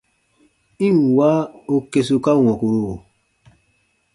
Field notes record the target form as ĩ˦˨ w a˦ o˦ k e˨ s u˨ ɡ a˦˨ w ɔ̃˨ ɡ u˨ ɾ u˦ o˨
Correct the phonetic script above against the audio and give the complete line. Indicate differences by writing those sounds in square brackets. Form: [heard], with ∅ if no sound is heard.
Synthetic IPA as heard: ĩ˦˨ w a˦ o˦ k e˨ s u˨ [k] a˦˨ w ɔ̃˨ [k] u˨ ɾ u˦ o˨